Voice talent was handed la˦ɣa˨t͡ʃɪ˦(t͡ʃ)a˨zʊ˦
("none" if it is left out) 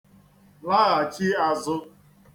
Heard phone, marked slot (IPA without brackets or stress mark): none